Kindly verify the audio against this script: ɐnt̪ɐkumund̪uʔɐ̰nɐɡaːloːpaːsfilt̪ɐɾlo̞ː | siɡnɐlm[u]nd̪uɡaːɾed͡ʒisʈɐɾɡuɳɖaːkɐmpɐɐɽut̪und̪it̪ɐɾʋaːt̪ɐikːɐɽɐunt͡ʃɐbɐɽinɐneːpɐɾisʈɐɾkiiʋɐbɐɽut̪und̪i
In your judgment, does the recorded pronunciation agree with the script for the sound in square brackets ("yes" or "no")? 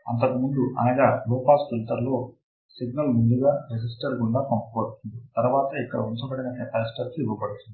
yes